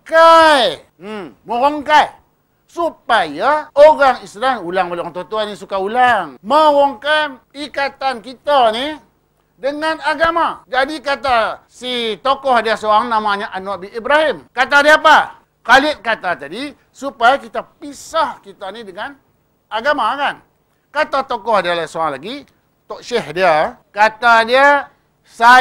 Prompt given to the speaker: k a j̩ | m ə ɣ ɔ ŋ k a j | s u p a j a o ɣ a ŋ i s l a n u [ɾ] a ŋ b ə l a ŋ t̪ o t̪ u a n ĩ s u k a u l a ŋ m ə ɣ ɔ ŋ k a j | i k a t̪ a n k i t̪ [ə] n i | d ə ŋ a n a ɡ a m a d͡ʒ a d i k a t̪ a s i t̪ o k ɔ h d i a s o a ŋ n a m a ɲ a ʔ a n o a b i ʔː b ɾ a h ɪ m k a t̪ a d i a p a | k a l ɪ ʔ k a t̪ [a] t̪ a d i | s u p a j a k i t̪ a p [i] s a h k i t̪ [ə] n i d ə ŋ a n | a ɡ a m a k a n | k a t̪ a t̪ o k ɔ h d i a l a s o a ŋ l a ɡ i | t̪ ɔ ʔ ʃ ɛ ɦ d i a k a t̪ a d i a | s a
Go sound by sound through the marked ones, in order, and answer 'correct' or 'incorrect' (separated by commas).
incorrect, incorrect, correct, correct, incorrect